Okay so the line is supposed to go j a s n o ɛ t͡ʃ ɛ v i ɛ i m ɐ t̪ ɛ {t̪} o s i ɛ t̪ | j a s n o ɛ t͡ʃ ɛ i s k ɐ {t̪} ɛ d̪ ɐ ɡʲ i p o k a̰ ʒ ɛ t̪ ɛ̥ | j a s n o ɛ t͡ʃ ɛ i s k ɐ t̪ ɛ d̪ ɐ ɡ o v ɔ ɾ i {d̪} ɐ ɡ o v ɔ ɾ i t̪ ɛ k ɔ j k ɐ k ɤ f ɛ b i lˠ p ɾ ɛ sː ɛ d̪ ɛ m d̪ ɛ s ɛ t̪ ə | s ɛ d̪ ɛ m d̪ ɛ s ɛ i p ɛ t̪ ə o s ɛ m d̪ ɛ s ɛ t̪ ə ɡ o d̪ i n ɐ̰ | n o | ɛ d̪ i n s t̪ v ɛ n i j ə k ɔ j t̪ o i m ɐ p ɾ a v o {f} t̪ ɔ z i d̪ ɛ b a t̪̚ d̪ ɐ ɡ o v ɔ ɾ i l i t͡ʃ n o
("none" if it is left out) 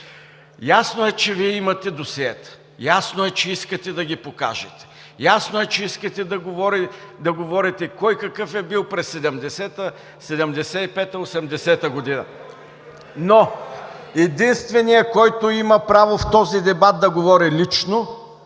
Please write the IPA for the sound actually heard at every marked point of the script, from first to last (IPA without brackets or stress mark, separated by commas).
d̪, t̪, d̪, f